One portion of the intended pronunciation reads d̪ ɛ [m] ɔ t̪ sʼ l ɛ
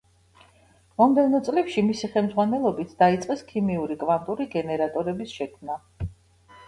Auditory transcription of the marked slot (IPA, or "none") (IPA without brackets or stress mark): n